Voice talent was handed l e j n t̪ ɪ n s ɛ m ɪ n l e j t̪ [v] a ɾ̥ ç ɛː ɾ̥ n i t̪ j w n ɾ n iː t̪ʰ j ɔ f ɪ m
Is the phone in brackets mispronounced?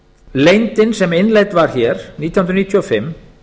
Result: no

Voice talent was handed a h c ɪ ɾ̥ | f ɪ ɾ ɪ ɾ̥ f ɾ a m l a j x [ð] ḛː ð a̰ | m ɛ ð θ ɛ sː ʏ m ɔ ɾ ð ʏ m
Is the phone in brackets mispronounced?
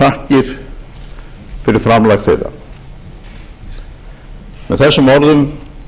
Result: yes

